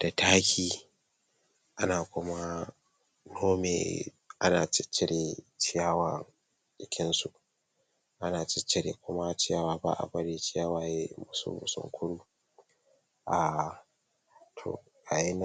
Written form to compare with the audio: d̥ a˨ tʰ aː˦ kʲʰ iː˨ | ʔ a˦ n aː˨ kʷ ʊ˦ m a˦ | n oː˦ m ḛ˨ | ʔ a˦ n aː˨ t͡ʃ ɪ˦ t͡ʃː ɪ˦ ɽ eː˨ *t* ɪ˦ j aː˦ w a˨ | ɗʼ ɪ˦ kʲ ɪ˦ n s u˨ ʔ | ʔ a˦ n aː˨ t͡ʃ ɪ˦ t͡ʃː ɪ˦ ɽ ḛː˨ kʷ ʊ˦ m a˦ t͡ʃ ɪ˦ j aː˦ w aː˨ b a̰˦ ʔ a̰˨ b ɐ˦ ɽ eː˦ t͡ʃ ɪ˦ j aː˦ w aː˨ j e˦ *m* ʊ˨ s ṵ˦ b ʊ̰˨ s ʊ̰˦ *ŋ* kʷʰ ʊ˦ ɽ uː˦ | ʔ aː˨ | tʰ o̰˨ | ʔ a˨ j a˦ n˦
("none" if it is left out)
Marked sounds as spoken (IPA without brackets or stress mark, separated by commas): t͡ʃ, m, ŋ